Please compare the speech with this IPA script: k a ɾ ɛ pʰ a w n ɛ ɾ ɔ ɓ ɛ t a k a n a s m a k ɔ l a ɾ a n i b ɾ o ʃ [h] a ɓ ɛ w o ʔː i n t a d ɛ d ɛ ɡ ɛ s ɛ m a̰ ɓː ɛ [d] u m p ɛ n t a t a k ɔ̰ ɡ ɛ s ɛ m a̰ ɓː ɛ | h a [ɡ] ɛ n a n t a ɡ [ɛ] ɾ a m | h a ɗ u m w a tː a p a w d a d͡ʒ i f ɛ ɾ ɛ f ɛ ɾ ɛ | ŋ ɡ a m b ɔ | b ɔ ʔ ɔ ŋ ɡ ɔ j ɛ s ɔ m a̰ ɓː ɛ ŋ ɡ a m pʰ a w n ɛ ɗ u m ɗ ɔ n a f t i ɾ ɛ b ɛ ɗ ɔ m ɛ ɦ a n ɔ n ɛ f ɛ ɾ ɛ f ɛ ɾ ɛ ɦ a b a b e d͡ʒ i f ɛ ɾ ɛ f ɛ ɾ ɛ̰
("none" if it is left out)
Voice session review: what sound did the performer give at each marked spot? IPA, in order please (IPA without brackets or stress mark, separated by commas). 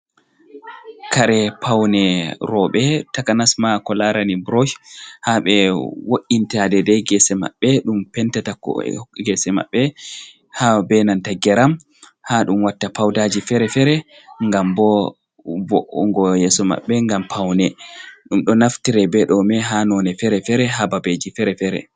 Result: h, ɗ, b, ɛ